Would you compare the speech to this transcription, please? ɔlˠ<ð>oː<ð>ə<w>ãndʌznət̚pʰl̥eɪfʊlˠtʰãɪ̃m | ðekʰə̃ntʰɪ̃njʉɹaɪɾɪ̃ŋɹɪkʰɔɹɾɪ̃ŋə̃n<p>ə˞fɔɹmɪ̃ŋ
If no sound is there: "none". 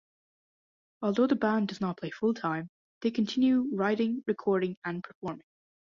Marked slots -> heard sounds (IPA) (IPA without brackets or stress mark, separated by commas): ð, ð, b, pʰ